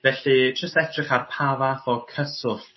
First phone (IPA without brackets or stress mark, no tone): v